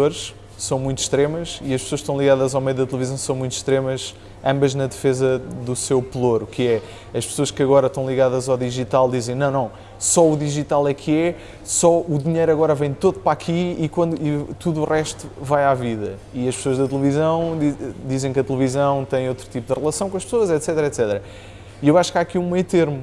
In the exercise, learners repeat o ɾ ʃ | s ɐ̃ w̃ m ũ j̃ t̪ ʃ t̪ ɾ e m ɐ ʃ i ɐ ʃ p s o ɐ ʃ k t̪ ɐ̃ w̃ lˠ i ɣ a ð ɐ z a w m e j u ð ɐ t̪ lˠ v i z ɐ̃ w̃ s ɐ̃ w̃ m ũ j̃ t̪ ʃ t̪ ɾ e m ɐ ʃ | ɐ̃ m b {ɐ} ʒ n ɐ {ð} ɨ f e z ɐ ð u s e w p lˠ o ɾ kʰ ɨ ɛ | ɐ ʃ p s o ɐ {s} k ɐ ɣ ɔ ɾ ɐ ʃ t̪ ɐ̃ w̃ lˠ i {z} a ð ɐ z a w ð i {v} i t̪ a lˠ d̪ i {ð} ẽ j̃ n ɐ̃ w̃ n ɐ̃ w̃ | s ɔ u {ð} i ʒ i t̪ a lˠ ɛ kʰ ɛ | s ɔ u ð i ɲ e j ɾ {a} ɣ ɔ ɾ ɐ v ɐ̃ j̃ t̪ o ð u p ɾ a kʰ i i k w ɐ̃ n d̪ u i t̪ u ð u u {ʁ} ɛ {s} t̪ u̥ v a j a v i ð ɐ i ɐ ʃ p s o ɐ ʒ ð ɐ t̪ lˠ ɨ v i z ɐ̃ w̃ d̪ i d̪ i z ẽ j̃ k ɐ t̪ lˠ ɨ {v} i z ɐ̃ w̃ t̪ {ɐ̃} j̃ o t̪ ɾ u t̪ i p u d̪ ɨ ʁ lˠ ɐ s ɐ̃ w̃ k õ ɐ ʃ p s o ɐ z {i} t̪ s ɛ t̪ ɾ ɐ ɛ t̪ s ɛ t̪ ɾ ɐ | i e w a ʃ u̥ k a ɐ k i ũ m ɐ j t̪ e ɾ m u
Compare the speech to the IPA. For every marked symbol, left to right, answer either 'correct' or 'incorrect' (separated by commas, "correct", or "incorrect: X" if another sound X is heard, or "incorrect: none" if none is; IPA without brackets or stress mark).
correct, correct, incorrect: ʃ, incorrect: ɣ, incorrect: ʒ, incorrect: z, correct, incorrect: ɐ, correct, incorrect: ʃ, correct, correct, incorrect: ɛ